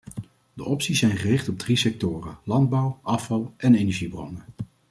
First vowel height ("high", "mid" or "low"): mid